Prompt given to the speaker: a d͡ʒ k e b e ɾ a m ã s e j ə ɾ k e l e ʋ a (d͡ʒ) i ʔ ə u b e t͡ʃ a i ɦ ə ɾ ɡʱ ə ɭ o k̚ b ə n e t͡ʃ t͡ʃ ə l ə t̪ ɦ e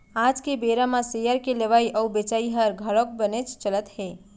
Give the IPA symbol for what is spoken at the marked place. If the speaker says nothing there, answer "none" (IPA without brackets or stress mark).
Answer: none